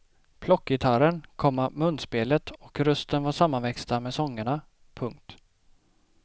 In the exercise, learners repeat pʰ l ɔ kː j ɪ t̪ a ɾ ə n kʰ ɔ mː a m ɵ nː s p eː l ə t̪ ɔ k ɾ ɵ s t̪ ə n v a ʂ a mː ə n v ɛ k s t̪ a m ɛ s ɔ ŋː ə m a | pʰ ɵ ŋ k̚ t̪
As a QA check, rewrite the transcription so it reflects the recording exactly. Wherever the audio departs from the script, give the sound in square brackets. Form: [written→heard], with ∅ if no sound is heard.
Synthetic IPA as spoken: pʰ l ɔ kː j ɪ [t̪→t̪ʰ] a ɾ ə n kʰ ɔ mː a m ɵ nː s p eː l ə t̪ ɔ k ɾ ɵ s t̪ ə n v a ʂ a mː [ə→a] n v ɛ k s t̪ a m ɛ s ɔ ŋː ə [m→ɳ] a | pʰ ɵ ŋ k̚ t̪

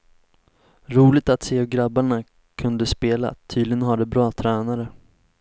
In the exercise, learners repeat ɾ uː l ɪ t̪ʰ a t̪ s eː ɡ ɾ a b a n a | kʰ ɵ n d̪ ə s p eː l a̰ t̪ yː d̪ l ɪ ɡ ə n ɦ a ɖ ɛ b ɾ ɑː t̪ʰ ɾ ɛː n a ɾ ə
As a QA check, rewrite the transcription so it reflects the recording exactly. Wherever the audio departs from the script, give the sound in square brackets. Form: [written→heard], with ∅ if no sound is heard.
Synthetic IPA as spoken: ɾ uː l ɪ [t̪ʰ→t̪] a t̪ s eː ɡ ɾ a b a [n→ɳ] a | kʰ ɵ n d̪ ə s p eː l a̰ [t̪→t̪ʰ] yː d̪ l ɪ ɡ ə n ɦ a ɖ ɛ b ɾ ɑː t̪ʰ ɾ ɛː n a ɾ ə

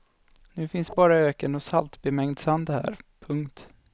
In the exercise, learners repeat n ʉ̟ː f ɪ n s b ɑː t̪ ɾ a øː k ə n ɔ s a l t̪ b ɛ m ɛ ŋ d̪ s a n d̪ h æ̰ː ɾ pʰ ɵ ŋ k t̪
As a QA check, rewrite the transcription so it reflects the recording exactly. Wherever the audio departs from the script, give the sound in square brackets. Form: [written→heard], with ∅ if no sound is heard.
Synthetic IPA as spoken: n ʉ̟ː f ɪ n s b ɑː [t̪→∅] ɾ a øː k ə n ɔ s a l t̪ b ɛ m ɛ ŋ d̪ s a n d̪ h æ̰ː ɾ pʰ ɵ ŋ k t̪

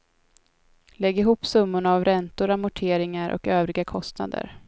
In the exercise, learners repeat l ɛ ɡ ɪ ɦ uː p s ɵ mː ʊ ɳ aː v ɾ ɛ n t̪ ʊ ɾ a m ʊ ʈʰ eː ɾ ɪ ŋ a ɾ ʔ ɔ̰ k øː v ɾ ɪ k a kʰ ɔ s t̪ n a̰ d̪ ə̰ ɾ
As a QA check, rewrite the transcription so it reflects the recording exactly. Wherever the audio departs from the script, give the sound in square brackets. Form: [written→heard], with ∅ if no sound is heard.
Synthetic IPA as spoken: l ɛ ɡ ɪ ɦ uː p s ɵ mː ʊ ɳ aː v ɾ ɛ n t̪ ʊ ɾ a m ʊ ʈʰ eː ɾ ɪ ŋ a ɾ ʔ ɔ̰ k øː v ɾ ɪ [k→ɡ] a kʰ ɔ s t̪ n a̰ d̪ ə̰ ɾ

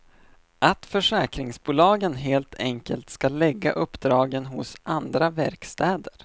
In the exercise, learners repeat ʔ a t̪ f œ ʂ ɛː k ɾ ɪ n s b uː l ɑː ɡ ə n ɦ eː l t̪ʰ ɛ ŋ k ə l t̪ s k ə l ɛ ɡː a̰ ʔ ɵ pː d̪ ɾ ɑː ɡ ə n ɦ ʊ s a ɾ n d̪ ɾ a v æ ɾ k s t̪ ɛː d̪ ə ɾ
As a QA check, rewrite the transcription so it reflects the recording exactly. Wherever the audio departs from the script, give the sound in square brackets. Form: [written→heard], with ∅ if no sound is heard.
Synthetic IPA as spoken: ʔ a t̪ f œ ʂ ɛː k ɾ ɪ [n→ŋ] s b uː l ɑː ɡ ə n ɦ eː l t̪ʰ ɛ ŋ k ə l t̪ s k [ə→a] l ɛ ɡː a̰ ʔ ɵ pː d̪ ɾ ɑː ɡ ə n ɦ ʊ s a [ɾ→∅] n d̪ ɾ a v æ ɾ k s t̪ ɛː d̪ ə ɾ

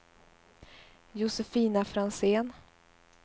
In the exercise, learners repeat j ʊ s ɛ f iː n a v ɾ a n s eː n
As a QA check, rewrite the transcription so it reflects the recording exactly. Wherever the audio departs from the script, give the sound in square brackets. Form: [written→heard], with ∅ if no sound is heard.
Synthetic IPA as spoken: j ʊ s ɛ f iː n a [v→f] ɾ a n s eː n

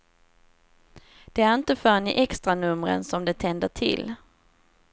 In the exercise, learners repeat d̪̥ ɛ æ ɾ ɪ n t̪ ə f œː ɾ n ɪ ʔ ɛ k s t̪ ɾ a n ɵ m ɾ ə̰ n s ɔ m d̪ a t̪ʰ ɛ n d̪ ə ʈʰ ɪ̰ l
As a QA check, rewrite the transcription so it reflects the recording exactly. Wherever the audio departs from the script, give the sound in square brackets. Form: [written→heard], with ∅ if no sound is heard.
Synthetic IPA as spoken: d̪̥ ɛ æ ɾ ɪ n t̪ ə f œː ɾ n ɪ ʔ ɛ k s t̪ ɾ a n ɵ m ɾ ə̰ n s ɔ m d̪ [a→ɛ] t̪ʰ ɛ n d̪ ə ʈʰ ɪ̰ l

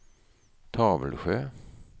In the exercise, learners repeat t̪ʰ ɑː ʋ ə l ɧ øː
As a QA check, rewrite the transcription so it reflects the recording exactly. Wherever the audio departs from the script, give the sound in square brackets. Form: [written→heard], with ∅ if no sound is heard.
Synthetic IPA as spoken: t̪ʰ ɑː ʋ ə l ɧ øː

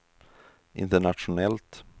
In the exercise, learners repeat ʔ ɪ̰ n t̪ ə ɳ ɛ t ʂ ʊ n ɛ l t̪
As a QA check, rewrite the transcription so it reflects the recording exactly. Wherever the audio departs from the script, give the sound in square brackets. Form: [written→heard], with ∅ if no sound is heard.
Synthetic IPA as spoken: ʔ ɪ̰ n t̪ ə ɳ [ɛ→a] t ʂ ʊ n ɛ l t̪

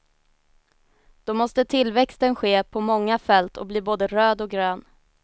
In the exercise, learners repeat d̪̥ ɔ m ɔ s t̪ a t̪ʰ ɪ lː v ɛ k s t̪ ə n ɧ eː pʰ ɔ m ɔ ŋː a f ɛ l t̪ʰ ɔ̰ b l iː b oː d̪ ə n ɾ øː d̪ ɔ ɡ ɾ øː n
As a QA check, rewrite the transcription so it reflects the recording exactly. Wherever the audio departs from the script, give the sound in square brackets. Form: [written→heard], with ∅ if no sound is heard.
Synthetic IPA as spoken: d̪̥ ɔ m ɔ s t̪ [a→ə] t̪ʰ ɪ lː v ɛ k s t̪ ə n ɧ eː pʰ ɔ m ɔ ŋː a f ɛ l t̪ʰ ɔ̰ b l iː b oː d̪ ə [n→∅] ɾ øː d̪ ɔ ɡ ɾ øː n

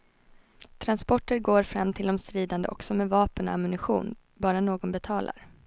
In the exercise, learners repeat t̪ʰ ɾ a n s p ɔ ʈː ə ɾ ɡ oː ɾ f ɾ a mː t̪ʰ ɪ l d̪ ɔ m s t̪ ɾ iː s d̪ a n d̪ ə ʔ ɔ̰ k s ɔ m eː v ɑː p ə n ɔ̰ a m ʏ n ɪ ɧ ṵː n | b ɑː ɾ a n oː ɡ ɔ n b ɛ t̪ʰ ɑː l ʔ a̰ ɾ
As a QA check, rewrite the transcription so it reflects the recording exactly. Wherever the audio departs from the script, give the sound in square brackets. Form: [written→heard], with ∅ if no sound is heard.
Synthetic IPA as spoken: t̪ʰ ɾ a n s p ɔ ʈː ə ɾ ɡ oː ɾ f ɾ a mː t̪ʰ ɪ l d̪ ɔ m s t̪ ɾ iː [s→∅] d̪ a n d̪ ə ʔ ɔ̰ k s ɔ m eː v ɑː p ə n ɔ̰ a m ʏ n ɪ ɧ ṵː n | b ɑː ɾ a n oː ɡ ɔ n b ɛ t̪ʰ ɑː l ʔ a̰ ɾ

